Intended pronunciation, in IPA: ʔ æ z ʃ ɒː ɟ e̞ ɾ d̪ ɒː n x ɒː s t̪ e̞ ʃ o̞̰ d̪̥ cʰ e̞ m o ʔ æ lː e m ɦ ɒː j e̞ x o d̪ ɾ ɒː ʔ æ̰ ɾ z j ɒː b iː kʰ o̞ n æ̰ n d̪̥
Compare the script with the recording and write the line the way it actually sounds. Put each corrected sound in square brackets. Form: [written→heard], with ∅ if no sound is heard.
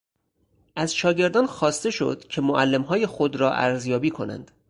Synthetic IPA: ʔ æ z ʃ ɒː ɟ e̞ ɾ d̪ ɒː n x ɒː s t̪ e̞ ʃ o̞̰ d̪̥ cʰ e̞ m o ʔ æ lː e m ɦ ɒː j e̞ x o d̪ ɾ ɒː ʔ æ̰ ɾ z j ɒː b iː kʰ o̞ n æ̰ n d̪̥